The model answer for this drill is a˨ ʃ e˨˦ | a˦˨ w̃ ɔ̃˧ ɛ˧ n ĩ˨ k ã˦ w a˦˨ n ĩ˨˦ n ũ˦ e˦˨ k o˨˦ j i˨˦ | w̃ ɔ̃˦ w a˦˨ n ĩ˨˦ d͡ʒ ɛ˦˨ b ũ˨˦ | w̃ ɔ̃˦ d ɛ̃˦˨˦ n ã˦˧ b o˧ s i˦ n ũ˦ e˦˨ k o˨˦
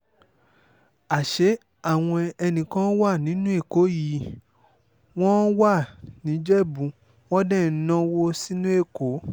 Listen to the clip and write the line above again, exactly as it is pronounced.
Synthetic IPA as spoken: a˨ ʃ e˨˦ | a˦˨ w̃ ɔ̃˧ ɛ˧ n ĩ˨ k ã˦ w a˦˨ n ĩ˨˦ n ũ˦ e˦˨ k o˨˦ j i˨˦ | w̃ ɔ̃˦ w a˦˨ n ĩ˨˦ d͡ʒ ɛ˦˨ b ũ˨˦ | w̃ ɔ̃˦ d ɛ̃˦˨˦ n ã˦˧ w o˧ s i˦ n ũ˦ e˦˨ k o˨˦